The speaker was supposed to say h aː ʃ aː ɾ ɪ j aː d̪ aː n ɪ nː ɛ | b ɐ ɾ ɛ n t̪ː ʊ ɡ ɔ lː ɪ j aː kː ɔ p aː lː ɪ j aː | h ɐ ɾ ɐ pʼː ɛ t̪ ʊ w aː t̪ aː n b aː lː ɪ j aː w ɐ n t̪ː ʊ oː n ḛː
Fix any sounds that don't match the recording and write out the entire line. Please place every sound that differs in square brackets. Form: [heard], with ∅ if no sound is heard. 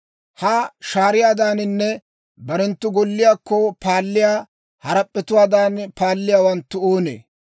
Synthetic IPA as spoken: h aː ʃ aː ɾ ɪ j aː d̪ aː n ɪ nː ɛ | b ɐ ɾ ɛ n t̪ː ʊ ɡ ɔ lː ɪ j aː kː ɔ p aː lː ɪ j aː | h ɐ ɾ ɐ pʼː ɛ t̪ ʊ w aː [d̪] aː n [p] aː lː ɪ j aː w ɐ n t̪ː ʊ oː n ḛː